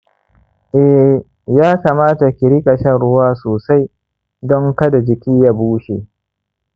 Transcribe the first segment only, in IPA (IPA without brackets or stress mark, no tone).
ʔ